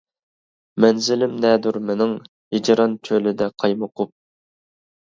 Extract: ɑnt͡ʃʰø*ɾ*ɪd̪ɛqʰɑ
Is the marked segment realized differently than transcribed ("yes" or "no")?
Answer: yes